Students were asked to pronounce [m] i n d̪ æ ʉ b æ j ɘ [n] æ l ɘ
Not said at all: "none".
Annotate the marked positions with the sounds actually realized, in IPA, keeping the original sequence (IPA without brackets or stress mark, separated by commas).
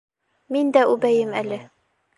m, m